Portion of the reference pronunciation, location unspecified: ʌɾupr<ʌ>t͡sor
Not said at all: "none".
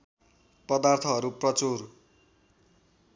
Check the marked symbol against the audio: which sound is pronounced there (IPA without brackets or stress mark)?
ʌ